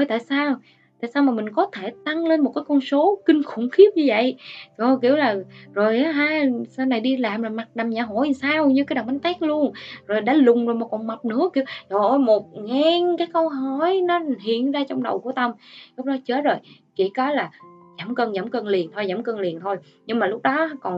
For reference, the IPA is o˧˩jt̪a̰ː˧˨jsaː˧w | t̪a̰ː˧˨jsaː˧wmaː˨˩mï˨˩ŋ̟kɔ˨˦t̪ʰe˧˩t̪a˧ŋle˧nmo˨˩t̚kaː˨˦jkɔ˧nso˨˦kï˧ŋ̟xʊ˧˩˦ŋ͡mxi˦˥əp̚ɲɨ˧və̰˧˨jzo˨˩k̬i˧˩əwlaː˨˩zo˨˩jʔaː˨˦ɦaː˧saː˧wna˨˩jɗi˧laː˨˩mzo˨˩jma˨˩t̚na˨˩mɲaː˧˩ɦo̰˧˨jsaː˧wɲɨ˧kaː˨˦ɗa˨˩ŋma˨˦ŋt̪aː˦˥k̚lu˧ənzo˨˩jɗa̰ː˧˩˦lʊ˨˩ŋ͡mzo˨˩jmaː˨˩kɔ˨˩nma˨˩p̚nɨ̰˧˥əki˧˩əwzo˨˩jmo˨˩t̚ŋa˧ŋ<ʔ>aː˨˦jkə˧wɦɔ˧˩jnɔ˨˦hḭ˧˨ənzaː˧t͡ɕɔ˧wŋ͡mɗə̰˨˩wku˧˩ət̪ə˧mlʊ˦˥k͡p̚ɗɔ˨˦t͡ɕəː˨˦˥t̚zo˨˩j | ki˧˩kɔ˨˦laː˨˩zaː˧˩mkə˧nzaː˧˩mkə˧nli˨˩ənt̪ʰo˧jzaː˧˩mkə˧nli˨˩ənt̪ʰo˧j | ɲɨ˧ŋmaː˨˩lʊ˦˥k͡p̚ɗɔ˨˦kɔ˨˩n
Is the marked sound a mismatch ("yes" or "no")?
yes